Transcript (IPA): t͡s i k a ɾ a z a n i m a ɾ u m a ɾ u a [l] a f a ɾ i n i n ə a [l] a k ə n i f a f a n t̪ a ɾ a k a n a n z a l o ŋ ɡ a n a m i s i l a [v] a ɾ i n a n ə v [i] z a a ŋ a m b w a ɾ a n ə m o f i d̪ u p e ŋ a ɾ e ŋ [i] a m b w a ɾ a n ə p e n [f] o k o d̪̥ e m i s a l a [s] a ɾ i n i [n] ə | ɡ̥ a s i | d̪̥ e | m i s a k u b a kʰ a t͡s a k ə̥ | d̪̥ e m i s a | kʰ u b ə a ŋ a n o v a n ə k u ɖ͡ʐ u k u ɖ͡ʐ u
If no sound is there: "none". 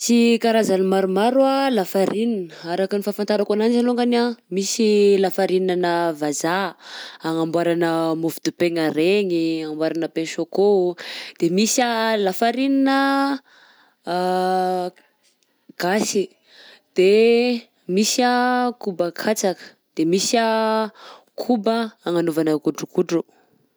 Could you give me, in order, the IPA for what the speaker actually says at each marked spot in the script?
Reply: l, ɾ, f, a, i, ʃ, f, n

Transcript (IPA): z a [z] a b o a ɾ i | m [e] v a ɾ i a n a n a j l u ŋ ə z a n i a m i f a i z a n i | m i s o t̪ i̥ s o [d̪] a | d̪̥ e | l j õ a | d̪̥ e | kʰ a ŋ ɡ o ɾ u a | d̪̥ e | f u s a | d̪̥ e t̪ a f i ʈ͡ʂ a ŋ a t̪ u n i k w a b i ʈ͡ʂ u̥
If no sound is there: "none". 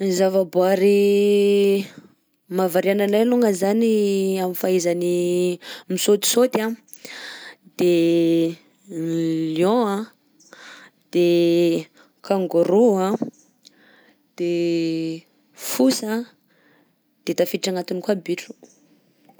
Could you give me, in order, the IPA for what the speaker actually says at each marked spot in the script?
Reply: v, a, t̪

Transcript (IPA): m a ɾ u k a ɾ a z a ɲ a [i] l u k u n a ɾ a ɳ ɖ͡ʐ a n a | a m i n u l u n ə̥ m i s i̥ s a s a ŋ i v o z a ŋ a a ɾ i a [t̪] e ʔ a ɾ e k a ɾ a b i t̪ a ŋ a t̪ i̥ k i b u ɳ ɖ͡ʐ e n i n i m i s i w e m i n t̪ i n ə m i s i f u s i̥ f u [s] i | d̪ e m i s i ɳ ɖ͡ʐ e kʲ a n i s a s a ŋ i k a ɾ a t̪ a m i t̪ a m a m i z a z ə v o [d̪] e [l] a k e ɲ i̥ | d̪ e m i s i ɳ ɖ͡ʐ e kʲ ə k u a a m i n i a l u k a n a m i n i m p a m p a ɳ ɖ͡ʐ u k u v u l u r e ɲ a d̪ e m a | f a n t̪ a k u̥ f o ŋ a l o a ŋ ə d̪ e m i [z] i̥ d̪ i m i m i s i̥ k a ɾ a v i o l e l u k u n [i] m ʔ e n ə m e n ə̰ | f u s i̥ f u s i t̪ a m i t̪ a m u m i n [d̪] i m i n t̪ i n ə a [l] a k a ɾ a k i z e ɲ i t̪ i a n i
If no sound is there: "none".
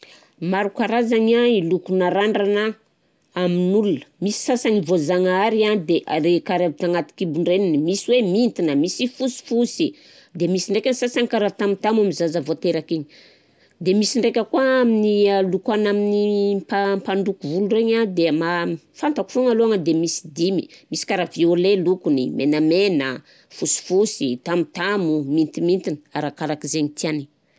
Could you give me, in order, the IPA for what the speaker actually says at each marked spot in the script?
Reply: i, d̪, s, t̪, ɾ, s, i, t̪, ɾ

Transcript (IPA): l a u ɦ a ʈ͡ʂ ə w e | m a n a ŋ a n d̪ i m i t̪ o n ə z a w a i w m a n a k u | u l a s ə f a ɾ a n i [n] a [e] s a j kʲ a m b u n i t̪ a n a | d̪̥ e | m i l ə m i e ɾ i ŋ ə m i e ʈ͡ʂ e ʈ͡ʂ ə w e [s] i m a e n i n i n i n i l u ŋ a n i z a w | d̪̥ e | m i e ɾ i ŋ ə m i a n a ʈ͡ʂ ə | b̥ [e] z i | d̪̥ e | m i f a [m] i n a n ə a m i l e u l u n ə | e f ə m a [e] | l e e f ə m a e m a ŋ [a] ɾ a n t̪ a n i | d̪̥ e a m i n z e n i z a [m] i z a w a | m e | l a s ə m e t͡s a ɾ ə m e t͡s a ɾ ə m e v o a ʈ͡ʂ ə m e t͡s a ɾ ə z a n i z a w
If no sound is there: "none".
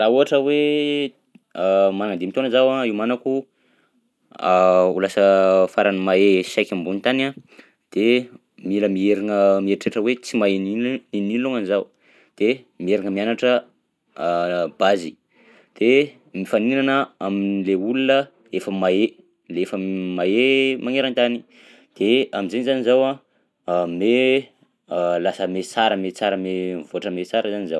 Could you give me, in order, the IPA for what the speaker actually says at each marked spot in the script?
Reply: m, e, t͡s, a, n, e, e, n

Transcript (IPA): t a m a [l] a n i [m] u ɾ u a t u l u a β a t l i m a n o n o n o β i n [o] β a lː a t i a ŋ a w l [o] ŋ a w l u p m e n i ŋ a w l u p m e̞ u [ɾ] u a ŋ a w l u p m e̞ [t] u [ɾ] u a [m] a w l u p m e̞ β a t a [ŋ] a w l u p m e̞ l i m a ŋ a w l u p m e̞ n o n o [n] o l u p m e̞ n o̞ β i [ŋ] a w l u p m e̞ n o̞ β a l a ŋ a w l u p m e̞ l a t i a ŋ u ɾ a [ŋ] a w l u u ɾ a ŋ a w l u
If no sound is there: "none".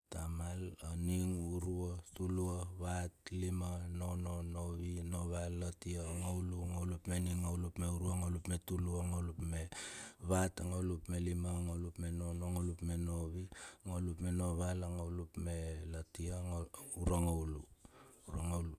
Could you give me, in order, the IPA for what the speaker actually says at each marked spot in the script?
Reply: l, ŋ, o, u, ɾ, t, l, ŋ, ŋ, ŋ, ŋ, ŋ

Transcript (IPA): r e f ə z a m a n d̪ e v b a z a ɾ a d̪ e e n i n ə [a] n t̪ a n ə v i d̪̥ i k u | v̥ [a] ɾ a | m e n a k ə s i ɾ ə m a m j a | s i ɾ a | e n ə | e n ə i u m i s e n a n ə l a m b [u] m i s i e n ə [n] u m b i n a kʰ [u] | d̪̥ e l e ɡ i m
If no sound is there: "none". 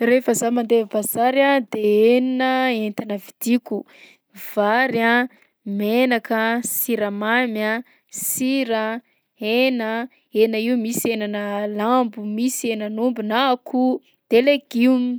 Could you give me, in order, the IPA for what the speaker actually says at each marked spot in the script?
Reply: e, a, u, n, u

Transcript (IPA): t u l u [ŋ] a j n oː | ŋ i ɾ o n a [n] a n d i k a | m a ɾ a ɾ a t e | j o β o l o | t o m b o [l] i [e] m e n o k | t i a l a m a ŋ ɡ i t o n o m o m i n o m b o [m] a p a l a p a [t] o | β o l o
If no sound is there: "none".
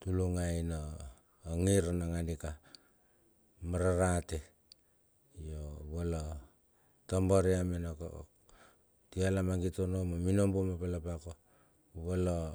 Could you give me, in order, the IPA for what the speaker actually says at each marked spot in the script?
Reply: ŋ, ŋ, ɾ, a, m, k

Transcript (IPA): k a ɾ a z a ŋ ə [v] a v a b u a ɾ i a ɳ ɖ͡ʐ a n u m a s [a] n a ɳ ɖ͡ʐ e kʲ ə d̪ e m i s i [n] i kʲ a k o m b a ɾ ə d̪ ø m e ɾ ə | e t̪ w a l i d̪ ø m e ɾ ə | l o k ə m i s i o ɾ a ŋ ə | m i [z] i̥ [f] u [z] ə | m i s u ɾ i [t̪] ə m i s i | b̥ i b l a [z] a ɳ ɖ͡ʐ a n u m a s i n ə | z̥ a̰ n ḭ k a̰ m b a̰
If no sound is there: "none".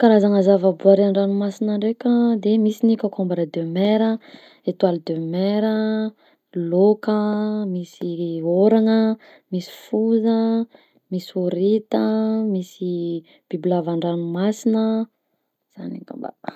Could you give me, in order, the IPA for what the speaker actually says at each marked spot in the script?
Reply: z, i, n, s, f, z, t̪, v

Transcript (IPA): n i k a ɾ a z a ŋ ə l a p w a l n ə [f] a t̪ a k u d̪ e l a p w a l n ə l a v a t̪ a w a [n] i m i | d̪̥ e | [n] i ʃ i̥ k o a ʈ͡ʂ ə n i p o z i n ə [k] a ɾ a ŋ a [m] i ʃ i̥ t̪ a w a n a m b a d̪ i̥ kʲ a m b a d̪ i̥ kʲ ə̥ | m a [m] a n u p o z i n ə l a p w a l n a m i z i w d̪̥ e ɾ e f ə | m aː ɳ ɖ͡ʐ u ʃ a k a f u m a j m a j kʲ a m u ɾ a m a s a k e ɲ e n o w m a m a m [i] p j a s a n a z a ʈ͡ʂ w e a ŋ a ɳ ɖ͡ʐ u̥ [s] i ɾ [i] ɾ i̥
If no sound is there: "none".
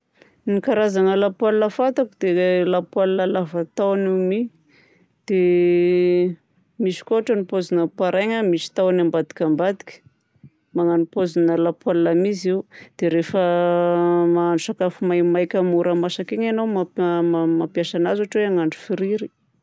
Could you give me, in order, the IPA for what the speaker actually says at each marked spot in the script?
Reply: f, n, m, p, m, ŋ, a, f, i

